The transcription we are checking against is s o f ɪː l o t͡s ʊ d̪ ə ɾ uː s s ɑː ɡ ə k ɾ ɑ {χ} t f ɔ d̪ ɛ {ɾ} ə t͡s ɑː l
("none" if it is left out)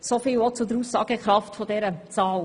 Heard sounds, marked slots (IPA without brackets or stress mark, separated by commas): f, ɾ